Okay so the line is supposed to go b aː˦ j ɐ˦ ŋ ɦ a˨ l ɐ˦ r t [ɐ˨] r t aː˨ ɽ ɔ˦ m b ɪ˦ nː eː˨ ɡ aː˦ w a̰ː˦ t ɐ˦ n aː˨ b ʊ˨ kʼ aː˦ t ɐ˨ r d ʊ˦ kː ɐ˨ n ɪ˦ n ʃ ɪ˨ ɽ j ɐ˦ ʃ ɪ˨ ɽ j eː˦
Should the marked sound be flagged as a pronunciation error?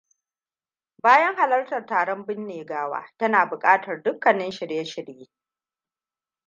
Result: no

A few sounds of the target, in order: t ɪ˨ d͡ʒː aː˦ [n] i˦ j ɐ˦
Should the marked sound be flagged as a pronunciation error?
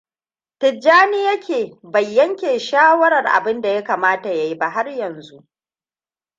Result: no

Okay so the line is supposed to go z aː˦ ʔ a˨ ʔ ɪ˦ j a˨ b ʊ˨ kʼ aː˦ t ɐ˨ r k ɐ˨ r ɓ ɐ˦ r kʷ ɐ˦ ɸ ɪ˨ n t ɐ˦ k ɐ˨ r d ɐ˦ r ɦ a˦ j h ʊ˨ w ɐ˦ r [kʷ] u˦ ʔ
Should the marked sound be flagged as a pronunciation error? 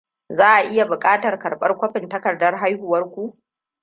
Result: no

